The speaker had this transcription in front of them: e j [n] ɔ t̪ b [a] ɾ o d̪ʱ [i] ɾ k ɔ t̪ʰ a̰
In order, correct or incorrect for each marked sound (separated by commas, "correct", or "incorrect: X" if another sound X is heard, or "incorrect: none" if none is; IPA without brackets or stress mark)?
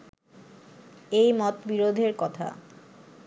incorrect: m, incorrect: i, incorrect: e